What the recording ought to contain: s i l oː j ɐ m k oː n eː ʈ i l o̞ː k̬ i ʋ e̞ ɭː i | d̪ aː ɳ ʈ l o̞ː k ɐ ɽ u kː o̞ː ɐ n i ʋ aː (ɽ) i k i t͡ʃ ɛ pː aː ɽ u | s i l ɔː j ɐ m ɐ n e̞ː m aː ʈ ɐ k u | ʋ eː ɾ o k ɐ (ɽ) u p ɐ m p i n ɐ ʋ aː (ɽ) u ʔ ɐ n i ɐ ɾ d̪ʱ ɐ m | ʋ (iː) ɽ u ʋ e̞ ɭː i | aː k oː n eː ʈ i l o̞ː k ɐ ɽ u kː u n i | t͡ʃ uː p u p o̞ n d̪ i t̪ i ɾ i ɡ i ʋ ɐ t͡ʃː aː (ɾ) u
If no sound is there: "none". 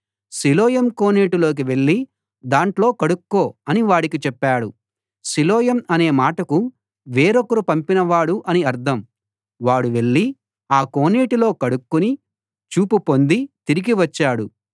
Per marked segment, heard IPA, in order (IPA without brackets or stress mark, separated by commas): ɽ, ɾ, ɽ, aː, ɽ